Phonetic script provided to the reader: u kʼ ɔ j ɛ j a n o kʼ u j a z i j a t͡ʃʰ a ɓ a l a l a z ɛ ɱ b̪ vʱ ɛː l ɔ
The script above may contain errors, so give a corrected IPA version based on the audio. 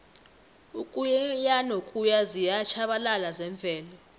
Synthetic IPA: u kʼ u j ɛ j a n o kʼ u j a z i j a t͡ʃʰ a ɓ a l a l a z ɛ ɱ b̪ vʱ ɛː l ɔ